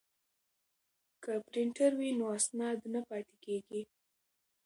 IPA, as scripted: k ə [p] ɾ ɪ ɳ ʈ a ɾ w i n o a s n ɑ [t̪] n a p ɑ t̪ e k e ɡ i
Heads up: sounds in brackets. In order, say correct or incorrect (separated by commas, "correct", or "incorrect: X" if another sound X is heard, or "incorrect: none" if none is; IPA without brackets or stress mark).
correct, incorrect: d̪